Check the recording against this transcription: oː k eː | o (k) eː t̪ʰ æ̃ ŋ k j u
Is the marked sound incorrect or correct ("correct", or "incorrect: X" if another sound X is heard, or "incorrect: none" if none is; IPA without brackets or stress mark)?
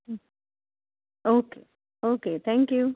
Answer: correct